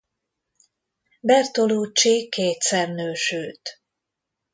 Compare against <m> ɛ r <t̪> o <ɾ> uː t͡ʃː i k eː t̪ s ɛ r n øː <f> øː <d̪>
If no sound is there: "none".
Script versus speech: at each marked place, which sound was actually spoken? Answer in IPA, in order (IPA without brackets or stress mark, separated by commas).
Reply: b, t̪, l, ʃ, t̪